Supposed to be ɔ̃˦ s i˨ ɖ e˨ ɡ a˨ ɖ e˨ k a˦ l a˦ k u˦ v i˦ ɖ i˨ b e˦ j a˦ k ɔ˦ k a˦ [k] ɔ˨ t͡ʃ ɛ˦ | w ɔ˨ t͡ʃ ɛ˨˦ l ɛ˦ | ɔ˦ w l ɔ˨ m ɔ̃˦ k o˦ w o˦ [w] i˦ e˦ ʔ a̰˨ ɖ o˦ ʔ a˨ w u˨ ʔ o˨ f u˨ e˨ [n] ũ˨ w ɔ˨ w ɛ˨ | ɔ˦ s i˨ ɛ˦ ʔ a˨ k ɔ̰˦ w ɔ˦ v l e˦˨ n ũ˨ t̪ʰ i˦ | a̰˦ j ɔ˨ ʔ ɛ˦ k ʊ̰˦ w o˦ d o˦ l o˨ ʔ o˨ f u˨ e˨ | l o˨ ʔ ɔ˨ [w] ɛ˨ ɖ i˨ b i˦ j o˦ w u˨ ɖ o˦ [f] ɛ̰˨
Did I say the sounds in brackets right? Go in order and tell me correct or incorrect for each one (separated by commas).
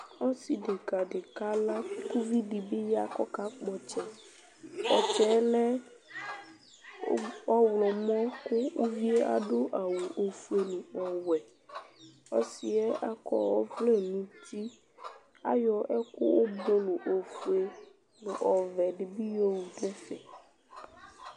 incorrect, incorrect, correct, incorrect, correct